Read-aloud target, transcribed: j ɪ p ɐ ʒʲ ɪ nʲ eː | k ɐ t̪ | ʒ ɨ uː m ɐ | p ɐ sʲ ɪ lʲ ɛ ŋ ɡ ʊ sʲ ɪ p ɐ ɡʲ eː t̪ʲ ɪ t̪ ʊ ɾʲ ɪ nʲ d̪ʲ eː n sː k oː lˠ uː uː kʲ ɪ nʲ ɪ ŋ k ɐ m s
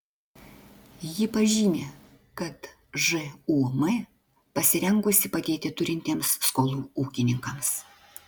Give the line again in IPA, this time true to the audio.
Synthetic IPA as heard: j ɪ p ɐ ʒʲ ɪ nʲ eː | k ɐ t̪ | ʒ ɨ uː m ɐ | p ɐ sʲ ɪ ɾʲ ɛ ŋ ɡ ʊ sʲ ɪ p ɐ ɡʲ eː t̪ʲ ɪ t̪ ʊ ɾʲ ɪ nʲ t̪ʲ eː m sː k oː lˠ uː uː kʲ ɪ nʲ ɪ ŋ k ɐ m s

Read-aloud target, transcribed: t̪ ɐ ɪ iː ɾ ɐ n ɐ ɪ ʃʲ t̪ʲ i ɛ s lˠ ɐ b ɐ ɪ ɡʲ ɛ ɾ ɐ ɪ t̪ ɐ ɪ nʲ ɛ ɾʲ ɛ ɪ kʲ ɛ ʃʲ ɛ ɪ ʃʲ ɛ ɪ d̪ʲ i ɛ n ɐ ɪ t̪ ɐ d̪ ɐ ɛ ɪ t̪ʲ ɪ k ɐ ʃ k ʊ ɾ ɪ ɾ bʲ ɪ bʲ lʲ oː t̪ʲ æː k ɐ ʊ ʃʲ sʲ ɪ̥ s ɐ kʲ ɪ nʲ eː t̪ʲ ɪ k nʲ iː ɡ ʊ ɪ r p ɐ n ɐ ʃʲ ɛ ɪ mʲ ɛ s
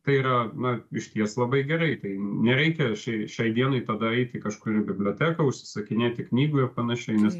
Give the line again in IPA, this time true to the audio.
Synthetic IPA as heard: t̪ ɐ ɪ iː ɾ ɐ n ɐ ɪ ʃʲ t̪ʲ i ɛ s lˠ ɐ b ɐ ɪ ɡʲ ɛ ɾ ɐ ɪ t̪ ɐ ɪ nʲ ɛ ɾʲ ɛ ɪ kʲ ɛ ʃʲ ɛ ɪ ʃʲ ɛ ɪ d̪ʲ i ɛ n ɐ ɪ t̪ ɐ d̪ ɐ ɛ ɪ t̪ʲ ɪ k ɐ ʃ k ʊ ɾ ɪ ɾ bʲ ɪ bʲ lʲ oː t̪ʲ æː k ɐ ʊ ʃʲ sʲ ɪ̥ s ɐ kʲ ɪ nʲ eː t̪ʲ ɪ k nʲ iː ɡ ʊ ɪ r p ɐ n ɐ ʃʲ ɛ ɪ nʲ ɛ s

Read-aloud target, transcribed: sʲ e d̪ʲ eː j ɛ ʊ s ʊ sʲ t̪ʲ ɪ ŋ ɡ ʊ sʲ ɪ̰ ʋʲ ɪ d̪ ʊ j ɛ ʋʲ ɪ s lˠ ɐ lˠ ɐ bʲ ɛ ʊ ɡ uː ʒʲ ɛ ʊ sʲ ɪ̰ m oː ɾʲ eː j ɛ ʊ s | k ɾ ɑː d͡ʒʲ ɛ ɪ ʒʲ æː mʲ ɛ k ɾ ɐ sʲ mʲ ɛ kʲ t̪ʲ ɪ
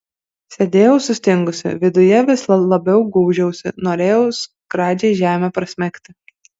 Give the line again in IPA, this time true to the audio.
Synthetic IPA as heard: sʲ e d̪ʲ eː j ɛ ʊ s ʊ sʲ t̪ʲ ɪ ŋ ɡ ʊ sʲ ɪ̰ ʋʲ ɪ d̪ ʊ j ɛ ʋʲ ɪ s lˠ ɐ lˠ ɐ bʲ ɛ ʊ ɡ uː ʒʲ ɛ ʊ sʲ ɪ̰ n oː ɾʲ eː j ɛ ʊ s | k ɾ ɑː d͡ʒʲ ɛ ɪ ʒʲ æː mʲ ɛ p ɾ ɐ sʲ mʲ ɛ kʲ t̪ʲ ɪ

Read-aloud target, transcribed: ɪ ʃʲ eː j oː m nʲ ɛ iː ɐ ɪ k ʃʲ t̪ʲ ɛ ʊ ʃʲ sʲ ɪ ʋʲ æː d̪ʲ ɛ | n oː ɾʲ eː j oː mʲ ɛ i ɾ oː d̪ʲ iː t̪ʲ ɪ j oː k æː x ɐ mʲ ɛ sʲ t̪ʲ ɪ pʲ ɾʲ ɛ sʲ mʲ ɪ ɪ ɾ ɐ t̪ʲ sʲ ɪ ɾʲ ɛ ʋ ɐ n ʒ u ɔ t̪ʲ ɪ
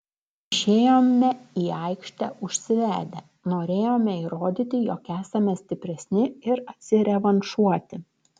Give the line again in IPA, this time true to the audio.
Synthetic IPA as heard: ɪ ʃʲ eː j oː m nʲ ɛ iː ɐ ɪ k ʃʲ t̪ʲ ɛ ʊ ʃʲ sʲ ɪ ʋʲ æː d̪ʲ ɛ | n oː ɾʲ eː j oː mʲ ɛ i ɾ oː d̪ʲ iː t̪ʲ ɪ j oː k æː s ɐ mʲ ɛ sʲ t̪ʲ ɪ pʲ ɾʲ ɛ sʲ nʲ ɪ ɪ ɾ ɐ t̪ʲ sʲ ɪ ɾʲ ɛ ʋ ɐ n ʃ u ɔ t̪ʲ ɪ

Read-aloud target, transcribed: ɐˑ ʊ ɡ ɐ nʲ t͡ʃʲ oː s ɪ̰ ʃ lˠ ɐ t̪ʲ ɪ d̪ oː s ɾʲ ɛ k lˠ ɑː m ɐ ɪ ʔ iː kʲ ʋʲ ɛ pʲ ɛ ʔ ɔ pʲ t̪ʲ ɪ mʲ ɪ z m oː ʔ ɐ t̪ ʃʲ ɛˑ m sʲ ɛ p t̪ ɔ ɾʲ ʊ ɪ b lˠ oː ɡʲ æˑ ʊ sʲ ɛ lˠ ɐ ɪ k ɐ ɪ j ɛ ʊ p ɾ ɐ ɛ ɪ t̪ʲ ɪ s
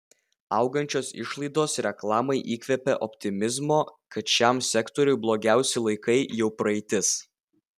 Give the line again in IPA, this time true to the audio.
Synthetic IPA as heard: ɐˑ ʊ ɡ ɐ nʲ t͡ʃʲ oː s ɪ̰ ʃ lˠ ɐ ɪ d̪ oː s ɾʲ ɛ k lˠ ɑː m ɐ ɪ ʔ iː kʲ ʋʲ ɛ pʲ ɛ ʔ ɔ pʲ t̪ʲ ɪ mʲ ɪ z m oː k ɐ t̪ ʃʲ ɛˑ m sʲ ɛ k t̪ ɔ ɾʲ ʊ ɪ b lˠ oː ɡʲ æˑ ʊ sʲ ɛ lˠ ɐ ɪ k ɐ ɪ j ɛ ʊ p ɾ ɐ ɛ ɪ t̪ʲ ɪ s

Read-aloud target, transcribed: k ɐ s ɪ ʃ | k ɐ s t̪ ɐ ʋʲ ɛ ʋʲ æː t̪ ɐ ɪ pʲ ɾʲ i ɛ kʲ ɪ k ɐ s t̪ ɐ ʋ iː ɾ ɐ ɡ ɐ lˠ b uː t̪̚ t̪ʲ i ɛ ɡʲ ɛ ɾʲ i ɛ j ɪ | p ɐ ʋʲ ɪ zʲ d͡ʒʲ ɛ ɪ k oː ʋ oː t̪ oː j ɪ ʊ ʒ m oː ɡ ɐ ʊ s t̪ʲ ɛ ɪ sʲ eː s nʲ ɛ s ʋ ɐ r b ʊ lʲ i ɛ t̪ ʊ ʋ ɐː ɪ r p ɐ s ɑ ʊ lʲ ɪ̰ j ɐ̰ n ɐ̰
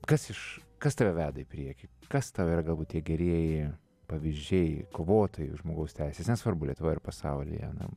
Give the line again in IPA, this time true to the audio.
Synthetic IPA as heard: k ɐ s ɪ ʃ | k ɐ s t̪ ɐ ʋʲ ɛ ʋʲ æː d̪ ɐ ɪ pʲ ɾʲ i ɛ kʲ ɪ k ɐ s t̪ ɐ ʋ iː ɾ ɐ ɡ ɐ lˠ b uː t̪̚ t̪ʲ i ɛ ɡʲ ɛ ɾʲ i ɛ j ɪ | p ɐ ʋʲ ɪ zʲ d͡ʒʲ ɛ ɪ k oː ʋ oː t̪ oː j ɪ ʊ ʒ m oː ɡ ɐ ʊ s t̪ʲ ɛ ɪ sʲ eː s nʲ ɛ s ʋ ɐ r b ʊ lʲ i ɛ t̪ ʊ ʋ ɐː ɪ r p ɐ s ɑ ʊ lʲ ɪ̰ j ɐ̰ n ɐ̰

